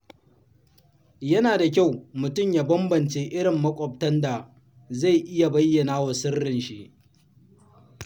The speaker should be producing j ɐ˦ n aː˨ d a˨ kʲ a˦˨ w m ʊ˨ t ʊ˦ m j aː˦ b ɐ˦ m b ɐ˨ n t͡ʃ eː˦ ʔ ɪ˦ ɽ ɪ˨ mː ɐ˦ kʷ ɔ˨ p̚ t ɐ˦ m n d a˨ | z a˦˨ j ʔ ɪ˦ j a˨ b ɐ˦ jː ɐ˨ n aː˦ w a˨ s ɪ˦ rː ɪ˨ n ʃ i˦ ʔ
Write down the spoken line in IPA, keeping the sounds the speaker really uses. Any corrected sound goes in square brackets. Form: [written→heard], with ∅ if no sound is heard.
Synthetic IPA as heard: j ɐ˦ n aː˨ d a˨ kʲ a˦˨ w m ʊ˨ t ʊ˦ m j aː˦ b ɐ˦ m b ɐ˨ n t͡ʃ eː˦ ʔ ɪ˦ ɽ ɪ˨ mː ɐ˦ [kʷ→kʷʼ] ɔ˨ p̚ t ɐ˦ [m→∅] n d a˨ | z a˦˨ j ʔ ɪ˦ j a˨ b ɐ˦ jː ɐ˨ n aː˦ w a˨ s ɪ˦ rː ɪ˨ n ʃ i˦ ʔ